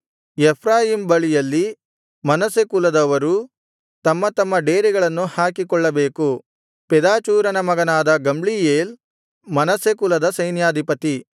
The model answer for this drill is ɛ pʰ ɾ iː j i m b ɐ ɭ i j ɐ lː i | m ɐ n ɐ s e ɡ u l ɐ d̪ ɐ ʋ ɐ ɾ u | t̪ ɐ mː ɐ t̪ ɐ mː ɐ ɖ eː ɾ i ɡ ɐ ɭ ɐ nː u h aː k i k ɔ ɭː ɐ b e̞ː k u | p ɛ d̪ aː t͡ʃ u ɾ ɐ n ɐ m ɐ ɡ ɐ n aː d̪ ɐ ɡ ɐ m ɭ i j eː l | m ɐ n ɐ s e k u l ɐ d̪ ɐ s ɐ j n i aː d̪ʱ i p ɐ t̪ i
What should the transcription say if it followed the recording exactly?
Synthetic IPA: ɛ pʰ ɾ aː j i m b ɐ ɭ i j ɐ lː i | m ɐ n ɐ s e k u l ɐ d̪ ɐ ʋ ɐ ɾ u | t̪ ɐ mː ɐ t̪ ɐ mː ɐ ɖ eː ɾ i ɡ ɐ ɭ ɐ nː u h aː k i k ɔ ɭː ɐ b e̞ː k u | p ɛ d̪ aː t͡ʃ uː ɾ ɐ n ɐ m ɐ ɡ ɐ n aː d̪ ɐ ɡ ɐ m ɭ i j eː l | m ɐ n ɐ s e k u l ɐ d̪ ɐ s ɐ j n j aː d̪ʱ i p ɐ t̪ i